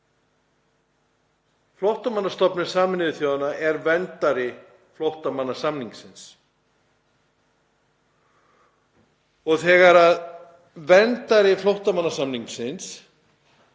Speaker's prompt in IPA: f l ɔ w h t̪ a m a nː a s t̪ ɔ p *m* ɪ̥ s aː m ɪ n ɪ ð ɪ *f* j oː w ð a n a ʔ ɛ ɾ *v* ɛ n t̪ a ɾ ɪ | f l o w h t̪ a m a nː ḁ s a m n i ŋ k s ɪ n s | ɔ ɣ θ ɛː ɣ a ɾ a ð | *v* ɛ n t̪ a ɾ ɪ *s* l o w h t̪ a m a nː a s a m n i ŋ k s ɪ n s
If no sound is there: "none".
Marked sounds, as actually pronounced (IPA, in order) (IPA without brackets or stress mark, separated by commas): n, θ, v, v, f